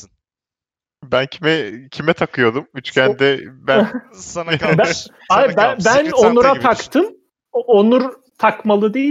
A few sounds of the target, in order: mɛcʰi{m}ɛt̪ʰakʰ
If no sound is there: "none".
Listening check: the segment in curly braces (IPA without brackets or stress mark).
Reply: m